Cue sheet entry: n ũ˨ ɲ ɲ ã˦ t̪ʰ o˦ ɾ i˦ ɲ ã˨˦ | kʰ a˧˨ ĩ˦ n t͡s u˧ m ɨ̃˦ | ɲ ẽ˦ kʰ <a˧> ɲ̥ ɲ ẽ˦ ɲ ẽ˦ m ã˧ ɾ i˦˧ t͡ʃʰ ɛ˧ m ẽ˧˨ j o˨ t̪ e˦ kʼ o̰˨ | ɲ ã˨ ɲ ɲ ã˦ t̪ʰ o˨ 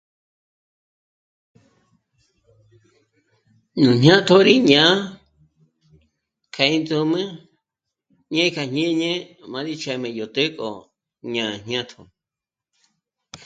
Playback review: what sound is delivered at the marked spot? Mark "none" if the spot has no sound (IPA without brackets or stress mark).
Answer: a˧